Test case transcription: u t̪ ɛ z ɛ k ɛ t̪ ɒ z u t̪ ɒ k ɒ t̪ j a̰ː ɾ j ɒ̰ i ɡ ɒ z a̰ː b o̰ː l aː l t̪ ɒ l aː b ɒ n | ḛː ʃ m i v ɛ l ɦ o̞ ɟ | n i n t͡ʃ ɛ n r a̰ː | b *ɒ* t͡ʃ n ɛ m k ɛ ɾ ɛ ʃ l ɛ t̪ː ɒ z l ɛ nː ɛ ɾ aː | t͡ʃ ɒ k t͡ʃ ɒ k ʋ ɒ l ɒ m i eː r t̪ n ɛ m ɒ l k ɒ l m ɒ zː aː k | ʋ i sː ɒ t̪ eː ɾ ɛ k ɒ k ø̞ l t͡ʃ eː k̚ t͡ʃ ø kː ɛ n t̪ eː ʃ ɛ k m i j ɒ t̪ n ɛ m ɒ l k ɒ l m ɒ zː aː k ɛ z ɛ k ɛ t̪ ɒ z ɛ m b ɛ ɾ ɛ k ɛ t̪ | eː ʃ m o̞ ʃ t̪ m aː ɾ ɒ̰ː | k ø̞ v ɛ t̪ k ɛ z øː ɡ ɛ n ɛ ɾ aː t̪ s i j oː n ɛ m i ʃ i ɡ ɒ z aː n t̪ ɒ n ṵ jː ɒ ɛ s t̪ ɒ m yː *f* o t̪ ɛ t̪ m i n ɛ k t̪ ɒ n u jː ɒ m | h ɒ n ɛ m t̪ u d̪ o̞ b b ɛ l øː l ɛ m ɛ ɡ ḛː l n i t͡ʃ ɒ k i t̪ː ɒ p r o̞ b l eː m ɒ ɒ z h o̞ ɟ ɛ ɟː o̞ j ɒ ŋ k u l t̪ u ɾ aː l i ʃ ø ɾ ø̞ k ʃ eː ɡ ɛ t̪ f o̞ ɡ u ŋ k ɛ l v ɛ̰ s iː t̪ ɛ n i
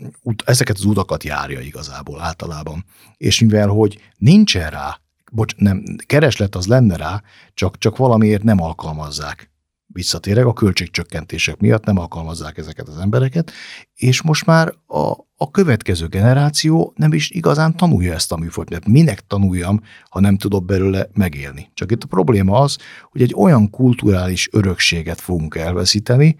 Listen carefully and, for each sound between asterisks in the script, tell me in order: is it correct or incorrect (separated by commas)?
incorrect, correct